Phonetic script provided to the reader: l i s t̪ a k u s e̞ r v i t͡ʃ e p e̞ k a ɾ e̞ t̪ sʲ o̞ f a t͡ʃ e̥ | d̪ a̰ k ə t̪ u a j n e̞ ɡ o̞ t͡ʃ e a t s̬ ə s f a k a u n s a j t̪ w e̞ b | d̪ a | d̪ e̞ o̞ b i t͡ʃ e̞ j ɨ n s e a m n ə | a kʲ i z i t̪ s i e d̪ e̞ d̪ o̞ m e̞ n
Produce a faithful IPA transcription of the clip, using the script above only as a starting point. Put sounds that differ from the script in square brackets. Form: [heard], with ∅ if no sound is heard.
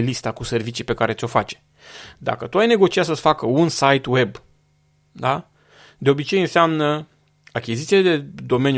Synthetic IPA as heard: l i s t̪ a k u s e̞ r v i t͡ʃ [i] p e̞ k a ɾ e̞ t̪ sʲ o̞ f a t͡ʃ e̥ | d̪ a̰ k ə t̪ u a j n e̞ ɡ o̞ t͡ʃ [i] a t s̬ ə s f a k [ə] u n s a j t̪ w e̞ b | d̪ a | d̪ e̞ o̞ b i t͡ʃ e̞ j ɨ n s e a m n ə | a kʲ i z i t̪ s i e d̪ e̞ d̪ o̞ m e̞ n